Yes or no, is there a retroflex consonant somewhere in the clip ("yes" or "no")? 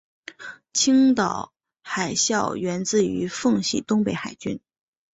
no